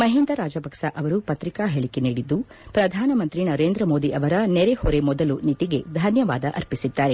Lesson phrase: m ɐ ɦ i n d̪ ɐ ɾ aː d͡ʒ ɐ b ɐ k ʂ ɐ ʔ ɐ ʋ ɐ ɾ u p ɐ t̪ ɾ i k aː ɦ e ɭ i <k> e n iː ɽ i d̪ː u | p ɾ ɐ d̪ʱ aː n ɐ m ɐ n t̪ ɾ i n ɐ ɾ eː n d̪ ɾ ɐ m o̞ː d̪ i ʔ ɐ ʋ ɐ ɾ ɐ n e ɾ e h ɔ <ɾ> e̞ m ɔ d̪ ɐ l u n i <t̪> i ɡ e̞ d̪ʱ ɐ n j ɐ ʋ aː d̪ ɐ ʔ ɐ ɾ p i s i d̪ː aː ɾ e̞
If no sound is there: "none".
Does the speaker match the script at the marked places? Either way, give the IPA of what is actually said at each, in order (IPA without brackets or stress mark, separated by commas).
k, ɾ, t̪